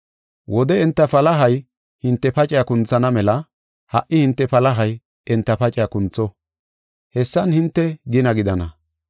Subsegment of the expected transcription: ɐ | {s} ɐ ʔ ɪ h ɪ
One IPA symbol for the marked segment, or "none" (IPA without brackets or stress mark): h